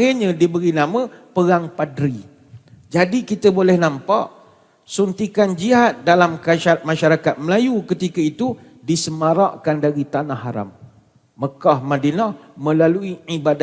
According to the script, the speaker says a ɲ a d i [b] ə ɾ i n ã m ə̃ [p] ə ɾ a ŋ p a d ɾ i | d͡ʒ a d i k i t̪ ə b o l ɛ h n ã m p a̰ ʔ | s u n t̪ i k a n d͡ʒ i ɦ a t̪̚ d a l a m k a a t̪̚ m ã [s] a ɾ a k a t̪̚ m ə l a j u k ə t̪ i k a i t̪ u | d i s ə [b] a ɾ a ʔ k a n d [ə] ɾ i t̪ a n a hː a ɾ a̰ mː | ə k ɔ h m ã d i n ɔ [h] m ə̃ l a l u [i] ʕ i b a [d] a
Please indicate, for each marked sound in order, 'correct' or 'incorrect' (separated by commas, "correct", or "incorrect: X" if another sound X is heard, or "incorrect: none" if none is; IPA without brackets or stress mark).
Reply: correct, correct, incorrect: ʃ, incorrect: m, incorrect: a, correct, correct, correct